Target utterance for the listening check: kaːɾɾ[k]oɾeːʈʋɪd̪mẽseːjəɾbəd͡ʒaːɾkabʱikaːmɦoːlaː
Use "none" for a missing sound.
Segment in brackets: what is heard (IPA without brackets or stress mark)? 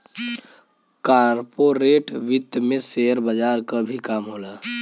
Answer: p